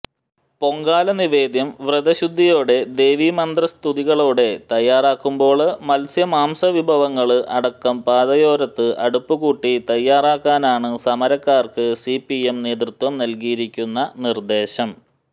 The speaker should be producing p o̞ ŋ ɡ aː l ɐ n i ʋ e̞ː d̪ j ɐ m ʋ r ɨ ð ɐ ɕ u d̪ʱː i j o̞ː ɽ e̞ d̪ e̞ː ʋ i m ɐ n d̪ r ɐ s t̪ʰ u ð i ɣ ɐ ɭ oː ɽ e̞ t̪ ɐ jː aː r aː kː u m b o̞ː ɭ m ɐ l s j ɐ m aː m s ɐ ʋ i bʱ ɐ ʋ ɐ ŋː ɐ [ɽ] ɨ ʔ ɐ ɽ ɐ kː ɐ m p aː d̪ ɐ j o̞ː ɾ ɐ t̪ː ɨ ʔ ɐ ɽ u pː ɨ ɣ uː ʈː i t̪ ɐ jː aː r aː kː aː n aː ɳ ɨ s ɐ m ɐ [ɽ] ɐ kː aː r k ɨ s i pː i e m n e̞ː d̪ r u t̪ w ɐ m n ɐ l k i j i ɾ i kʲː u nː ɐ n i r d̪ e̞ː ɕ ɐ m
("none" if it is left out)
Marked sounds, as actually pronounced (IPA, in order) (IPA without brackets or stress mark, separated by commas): ɭ, ɾ